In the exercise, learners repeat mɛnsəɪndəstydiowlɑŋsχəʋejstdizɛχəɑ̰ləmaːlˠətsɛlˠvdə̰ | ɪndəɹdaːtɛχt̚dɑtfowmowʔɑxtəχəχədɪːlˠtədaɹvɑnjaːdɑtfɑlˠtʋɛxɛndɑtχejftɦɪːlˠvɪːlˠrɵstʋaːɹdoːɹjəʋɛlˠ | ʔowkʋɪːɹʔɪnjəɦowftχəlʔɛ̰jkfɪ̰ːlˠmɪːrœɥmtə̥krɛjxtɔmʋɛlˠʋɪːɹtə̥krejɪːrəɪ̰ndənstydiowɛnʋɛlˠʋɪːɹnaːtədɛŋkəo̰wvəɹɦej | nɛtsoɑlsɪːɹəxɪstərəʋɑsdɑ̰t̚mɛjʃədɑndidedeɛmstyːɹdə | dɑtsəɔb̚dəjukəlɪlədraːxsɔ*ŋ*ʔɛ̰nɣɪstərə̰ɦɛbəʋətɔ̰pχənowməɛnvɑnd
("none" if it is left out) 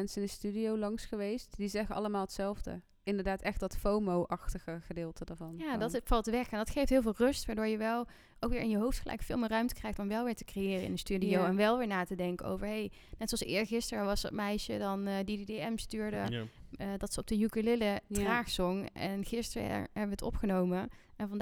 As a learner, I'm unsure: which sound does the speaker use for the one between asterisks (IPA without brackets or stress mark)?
ŋ